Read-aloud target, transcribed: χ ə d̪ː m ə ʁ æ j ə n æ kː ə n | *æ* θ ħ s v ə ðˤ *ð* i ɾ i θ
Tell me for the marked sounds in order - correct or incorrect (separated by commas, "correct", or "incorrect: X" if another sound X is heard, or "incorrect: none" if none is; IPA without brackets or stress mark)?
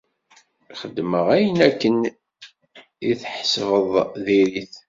incorrect: i, correct